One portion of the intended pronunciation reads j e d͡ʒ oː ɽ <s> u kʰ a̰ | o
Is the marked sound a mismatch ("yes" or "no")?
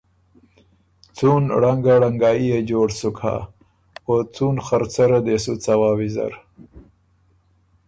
no